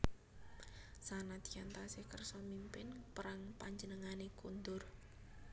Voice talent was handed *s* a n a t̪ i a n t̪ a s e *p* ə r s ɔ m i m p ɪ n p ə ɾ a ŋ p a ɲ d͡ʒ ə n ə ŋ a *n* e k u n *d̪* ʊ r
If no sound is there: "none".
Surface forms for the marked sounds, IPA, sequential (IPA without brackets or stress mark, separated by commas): s, k, n, d̪